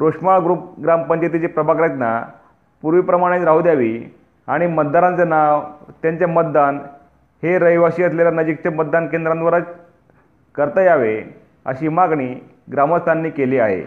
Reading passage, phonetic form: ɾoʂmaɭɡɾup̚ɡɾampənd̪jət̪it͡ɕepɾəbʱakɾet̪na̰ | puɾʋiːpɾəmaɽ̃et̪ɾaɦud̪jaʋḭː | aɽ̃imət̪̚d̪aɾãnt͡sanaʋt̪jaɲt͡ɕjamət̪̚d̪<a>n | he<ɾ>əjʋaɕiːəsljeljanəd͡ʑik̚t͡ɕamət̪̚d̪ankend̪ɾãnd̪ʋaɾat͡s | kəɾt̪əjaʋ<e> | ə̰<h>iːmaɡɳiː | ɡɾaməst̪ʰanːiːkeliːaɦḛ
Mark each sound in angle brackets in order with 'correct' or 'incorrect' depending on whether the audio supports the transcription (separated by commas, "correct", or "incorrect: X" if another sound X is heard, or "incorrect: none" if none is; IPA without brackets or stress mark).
correct, correct, correct, incorrect: ɕ